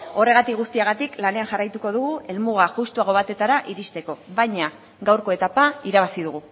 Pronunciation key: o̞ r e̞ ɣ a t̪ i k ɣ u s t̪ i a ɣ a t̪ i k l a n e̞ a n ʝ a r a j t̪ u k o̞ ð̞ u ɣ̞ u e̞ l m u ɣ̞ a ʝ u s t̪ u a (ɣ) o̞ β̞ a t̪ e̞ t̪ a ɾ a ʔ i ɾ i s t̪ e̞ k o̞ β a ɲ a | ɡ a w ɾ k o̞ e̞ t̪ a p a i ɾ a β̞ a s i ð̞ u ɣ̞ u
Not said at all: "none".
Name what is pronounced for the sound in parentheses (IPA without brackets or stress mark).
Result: ɣ